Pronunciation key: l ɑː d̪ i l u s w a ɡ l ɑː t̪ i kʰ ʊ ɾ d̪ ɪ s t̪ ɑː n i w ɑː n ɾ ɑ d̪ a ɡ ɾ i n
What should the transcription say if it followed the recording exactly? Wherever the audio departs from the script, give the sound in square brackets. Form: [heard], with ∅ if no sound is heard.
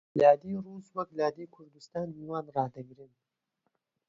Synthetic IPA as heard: l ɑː d̪ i [ɾ] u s w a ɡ l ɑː [d̪] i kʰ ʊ ɾ d̪ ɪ s t̪ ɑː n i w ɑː n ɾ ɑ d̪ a ɡ ɾ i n